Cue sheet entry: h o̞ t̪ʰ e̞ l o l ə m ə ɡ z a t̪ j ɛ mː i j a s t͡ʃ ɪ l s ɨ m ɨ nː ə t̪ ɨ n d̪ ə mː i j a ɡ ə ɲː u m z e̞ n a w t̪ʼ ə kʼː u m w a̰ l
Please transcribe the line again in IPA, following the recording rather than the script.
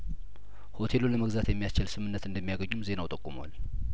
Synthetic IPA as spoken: h o̞ t̪ʰ e̞ l o l ə m ə ɡ z a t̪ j ɛ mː i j a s t͡ʃ ɪ l s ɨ m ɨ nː ə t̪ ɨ n d̪ ə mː i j a ɡ ə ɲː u m z e̞ n a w t̪ʼ ə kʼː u m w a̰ l

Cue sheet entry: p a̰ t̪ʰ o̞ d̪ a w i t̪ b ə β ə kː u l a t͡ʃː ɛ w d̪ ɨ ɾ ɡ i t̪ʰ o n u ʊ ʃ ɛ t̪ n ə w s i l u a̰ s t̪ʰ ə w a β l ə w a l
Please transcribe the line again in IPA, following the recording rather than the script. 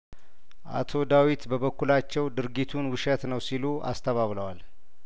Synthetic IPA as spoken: ʔ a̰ t̪ʰ o̞ d̪ a w i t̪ b ə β ə kː u l a t͡ʃː ɛ w d̪ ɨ ɾ ɡ i t̪ʰ u n w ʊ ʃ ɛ t̪ n ə w s i l u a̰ s t̪ʰ ə β a β l ə w a l

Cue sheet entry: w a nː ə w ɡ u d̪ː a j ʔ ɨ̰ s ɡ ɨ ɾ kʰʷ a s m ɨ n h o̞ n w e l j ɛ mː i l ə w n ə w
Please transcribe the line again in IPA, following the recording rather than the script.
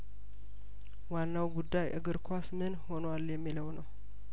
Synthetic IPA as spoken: w a nː a w ɡ u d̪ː a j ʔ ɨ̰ ɡ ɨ ɾ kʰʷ a s m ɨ n h o̞ n w a l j ɛ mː i l ə w n ə w

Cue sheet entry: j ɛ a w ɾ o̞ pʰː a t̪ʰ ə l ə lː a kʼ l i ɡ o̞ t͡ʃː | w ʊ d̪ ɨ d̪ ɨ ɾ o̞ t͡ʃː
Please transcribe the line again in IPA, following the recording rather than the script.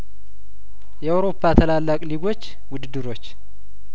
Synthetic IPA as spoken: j ɛ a w ɾ o̞ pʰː a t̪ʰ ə l a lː a kʼ l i ɡ o̞ t͡ʃː | w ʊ d̪ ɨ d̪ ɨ ɾ o̞ t͡ʃː

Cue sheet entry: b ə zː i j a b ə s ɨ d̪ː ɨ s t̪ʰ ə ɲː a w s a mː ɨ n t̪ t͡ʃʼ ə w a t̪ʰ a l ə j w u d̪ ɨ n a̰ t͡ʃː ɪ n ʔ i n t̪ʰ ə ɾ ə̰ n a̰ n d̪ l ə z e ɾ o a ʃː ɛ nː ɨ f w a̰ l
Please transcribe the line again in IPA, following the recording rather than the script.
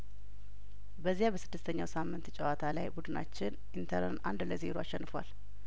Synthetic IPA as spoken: b ə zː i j a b ə s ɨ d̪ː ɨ s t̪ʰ ə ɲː a w s a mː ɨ n t̪ t͡ʃʼ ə w a t̪ʰ a l a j b u d̪ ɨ n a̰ t͡ʃː ɪ n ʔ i n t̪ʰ ə ɾ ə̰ n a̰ n d̪ l ə z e ɾ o a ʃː ɛ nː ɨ f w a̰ l

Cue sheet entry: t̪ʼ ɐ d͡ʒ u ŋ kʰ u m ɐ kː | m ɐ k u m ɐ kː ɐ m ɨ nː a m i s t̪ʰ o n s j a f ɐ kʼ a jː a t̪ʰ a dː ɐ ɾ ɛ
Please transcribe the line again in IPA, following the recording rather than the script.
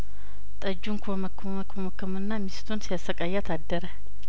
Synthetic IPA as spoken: t̪ʼ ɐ d͡ʒ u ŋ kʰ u m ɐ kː | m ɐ k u m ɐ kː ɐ m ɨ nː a m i s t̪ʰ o n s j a s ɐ kʼ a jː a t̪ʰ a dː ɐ ɾ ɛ

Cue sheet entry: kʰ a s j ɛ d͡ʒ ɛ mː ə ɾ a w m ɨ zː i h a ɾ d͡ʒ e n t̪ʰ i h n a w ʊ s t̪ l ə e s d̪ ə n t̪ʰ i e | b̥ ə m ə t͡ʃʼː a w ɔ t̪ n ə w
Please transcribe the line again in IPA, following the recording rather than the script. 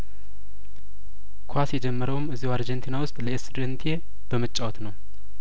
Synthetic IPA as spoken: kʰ a s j ɛ d͡ʒ ɛ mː ə ɾ ə w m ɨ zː i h a ɾ d͡ʒ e n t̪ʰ i n a w ʊ s t̪ʼ l ə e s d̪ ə n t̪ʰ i e | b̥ ə m ə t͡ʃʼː a w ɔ t̪ n ə w

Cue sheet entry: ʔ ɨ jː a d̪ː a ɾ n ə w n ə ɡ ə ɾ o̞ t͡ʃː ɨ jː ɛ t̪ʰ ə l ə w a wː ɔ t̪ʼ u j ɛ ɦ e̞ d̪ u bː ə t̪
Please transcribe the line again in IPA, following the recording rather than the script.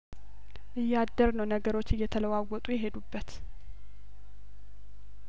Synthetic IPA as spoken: ʔ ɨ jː a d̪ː ə ɾ n ə w n ə ɡ ə ɾ o̞ t͡ʃː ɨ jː ɛ t̪ʰ ə l ə w a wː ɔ t̪ʼ u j ɛ ɦ e̞ d̪ u bː ə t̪

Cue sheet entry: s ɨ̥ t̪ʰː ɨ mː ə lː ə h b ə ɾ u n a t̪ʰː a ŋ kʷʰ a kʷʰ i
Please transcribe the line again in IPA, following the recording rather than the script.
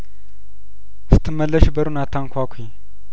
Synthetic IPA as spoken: s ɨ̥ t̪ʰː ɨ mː ə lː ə ʃ b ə ɾ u n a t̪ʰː a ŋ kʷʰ a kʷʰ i

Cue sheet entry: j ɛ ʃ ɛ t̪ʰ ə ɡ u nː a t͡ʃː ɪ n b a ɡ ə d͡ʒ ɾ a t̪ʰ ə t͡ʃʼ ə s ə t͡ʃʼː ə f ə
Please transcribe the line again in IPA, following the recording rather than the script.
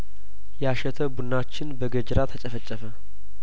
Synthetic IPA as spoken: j a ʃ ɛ t̪ʰ ə b u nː a t͡ʃː ɪ n b ə ɡ ə d͡ʒ ɾ a t̪ʰ ə t͡ʃʼ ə f ə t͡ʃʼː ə f ə

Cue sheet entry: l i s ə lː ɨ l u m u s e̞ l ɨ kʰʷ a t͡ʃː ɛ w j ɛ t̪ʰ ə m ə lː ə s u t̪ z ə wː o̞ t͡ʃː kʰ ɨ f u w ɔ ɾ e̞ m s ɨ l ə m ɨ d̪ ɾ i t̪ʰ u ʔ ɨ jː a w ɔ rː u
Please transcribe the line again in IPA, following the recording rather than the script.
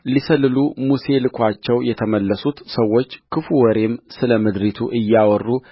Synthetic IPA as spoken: l i s ə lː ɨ l u m u s e̞ l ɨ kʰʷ a t͡ʃː ɛ w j ɛ t̪ʰ ə m ə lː ə s u t̪ s ə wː o̞ t͡ʃː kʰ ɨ f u w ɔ ɾ e̞ m s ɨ l ə m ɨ d̪ ɾ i t̪ʰ u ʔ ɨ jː a w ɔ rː u

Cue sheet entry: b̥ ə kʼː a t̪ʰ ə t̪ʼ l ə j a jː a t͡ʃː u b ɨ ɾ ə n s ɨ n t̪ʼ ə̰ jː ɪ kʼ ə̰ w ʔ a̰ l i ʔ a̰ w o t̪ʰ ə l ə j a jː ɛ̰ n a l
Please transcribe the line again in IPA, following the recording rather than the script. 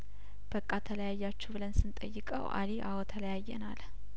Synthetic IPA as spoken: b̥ ə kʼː a t̪ʰ ə l ə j a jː a t͡ʃː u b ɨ l ə n s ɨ n t̪ʼ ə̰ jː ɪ kʼ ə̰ w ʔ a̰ l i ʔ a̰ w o t̪ʰ ə l ə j a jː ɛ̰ n a l

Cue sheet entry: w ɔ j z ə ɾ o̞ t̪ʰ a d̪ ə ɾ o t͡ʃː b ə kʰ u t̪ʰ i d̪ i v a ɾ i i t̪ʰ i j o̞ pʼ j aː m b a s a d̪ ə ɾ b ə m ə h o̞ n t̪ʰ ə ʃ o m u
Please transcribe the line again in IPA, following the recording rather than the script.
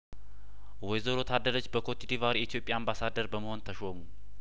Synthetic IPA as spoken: w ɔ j z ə ɾ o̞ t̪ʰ a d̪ ə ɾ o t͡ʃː b ə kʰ o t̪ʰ i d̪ i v a ɾ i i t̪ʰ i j o̞ pʼ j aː m b a s a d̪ ə ɾ b ə m ə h o̞ n t̪ʰ ə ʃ o m u

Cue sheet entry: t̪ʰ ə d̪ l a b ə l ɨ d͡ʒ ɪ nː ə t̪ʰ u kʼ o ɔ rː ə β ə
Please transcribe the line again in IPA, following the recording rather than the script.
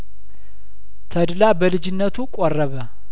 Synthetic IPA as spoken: t̪ʰ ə d̪ l a b ə l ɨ d͡ʒ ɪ nː ə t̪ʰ u kʼ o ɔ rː ə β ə

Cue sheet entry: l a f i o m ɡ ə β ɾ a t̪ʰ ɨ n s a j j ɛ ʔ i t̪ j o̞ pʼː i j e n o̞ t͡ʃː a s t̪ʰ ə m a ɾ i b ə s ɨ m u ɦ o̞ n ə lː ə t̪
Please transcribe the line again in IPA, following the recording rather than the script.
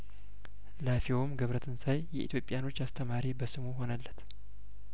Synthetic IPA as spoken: l a f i o m ɡ ə β ɾ ə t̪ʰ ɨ n s a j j ɛ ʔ i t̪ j o̞ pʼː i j a n o̞ t͡ʃː a s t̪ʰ ə m a ɾ i b ə s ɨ m u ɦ o̞ n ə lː ə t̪

